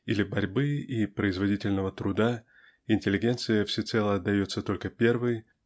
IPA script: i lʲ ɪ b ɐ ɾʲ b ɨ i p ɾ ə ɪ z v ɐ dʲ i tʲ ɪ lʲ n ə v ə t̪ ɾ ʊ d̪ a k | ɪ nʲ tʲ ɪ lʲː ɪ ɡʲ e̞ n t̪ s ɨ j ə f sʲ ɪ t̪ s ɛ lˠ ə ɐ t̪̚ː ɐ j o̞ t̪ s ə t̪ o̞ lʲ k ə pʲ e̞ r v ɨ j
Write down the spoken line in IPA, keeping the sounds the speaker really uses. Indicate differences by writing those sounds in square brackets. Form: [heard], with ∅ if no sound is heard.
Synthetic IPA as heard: i lʲ ɪ b ɐ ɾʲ b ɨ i p ɾ ə ɪ z v ɐ dʲ i tʲ ɪ lʲ n ə v ə t̪ ɾ ʊ d̪ a [∅] | ɪ nʲ tʲ ɪ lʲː ɪ ɡʲ e̞ n t̪ s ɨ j ə f sʲ ɪ t̪ s ɛ lˠ ə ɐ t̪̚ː ɐ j o̞ t̪ s ə t̪ o̞ lʲ k ə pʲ e̞ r v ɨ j